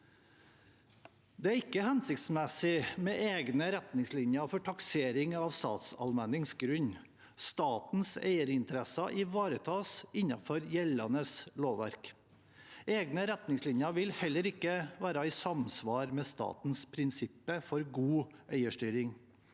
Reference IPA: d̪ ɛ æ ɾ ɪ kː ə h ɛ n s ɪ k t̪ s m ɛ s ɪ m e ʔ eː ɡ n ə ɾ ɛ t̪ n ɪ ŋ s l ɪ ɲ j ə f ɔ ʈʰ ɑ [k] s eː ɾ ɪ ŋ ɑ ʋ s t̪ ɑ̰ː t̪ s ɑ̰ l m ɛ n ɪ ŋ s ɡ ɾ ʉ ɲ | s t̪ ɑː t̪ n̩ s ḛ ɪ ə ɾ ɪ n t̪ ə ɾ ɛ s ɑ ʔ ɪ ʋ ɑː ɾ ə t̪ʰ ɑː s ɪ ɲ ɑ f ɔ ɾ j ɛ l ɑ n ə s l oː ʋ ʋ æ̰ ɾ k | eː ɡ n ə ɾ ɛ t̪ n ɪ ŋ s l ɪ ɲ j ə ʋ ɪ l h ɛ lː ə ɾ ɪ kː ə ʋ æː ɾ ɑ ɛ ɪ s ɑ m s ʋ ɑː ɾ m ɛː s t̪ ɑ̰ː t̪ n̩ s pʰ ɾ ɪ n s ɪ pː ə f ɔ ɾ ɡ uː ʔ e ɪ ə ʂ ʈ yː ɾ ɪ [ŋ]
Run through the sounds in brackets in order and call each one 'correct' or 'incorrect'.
correct, correct

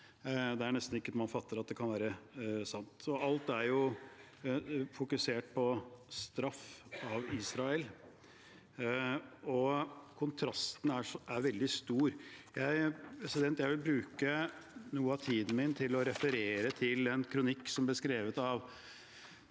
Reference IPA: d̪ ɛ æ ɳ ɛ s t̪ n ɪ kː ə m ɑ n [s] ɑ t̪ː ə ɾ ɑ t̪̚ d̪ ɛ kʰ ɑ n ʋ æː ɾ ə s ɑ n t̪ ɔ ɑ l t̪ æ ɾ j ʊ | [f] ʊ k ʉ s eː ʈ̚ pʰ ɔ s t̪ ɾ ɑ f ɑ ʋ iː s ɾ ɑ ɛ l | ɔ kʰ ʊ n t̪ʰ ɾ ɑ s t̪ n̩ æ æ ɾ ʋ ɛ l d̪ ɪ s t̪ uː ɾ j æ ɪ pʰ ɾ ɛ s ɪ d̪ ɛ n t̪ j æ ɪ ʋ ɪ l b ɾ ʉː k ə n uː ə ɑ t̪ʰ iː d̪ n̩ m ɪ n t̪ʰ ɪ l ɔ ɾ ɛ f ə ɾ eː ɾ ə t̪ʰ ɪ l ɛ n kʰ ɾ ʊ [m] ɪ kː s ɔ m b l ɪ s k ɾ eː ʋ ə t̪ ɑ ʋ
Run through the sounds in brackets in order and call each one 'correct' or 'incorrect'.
incorrect, correct, incorrect

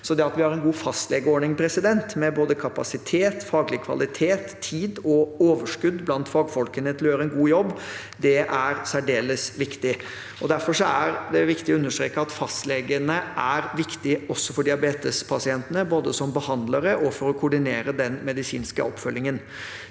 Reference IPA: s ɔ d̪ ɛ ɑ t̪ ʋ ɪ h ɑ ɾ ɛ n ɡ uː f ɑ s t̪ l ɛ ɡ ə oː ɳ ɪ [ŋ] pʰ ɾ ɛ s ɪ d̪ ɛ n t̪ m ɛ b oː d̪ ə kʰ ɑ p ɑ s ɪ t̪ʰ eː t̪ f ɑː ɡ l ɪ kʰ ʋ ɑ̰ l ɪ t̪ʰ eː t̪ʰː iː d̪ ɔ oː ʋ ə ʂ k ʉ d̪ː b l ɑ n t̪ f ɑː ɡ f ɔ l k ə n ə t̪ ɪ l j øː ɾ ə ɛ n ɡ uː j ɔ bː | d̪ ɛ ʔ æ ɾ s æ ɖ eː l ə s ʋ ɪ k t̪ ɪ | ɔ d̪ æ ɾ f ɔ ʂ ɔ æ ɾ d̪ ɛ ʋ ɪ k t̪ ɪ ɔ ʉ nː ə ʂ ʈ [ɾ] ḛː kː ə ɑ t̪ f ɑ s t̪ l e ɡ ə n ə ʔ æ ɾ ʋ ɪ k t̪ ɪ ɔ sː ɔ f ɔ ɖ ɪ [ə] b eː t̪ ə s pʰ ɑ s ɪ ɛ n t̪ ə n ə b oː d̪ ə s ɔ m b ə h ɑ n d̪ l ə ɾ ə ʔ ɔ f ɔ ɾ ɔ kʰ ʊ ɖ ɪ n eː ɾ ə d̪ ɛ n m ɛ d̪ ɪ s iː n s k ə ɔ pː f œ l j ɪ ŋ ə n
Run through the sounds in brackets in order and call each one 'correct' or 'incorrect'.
correct, correct, incorrect

